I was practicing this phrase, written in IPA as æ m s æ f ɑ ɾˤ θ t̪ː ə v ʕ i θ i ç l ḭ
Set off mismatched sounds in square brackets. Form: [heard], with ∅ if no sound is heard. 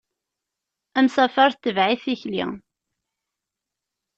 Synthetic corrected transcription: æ m s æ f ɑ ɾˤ θ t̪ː ə v ʕ i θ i ç l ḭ